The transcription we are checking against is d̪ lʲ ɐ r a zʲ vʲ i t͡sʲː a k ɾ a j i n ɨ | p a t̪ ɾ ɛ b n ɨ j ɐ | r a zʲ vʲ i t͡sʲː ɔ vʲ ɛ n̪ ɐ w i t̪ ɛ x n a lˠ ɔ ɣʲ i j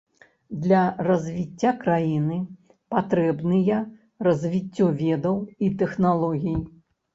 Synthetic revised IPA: d̪ lʲ ɐ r ɐ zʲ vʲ i t͡sʲː a k ɾ a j i n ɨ | p a t̪ ɾ ɛ b n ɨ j ɐ | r ɐ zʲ vʲ i t͡sʲː ɔ vʲ ɛ d̪ ɐ w i t̪ ɛ x n a lˠ ɔ ɣʲ i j